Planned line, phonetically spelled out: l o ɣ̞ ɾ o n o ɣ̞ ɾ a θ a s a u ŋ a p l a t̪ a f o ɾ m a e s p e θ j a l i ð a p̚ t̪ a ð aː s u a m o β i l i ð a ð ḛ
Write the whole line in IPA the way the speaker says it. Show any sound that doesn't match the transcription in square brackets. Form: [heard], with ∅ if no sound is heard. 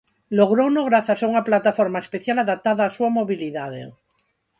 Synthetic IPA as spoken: l o ɣ̞ ɾ o n o ɣ̞ ɾ a θ a s a u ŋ a p l a t̪ a f o ɾ m a e s p e θ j a l [a] ð a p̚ t̪ a ð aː s u a m o β i l i ð a ð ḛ